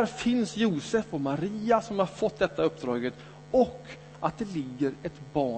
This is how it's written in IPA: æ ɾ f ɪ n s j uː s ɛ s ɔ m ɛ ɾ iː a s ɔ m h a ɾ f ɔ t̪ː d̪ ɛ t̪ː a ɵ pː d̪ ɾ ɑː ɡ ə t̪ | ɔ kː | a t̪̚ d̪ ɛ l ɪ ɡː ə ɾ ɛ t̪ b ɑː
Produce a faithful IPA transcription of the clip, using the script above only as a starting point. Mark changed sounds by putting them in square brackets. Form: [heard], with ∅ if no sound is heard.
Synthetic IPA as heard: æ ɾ f ɪ n s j uː s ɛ [f] ɔ m [a] ɾ iː a s ɔ m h a ɾ f ɔ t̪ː d̪ ɛ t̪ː a ɵ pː d̪ ɾ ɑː ɡ ə t̪ | ɔ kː | a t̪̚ d̪ ɛ l ɪ ɡː ə ɾ ɛ t̪ b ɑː